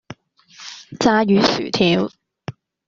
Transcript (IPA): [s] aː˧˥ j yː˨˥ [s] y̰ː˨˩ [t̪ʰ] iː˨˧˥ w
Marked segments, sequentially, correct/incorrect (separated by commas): incorrect, correct, correct